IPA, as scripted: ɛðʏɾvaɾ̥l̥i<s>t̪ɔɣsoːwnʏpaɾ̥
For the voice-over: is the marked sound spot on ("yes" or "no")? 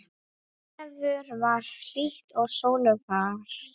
no